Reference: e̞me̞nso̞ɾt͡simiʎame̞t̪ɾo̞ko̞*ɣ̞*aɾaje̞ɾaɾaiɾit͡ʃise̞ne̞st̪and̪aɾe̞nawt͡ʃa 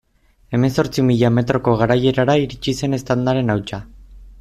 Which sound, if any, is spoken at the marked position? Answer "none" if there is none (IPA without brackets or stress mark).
ɣ̞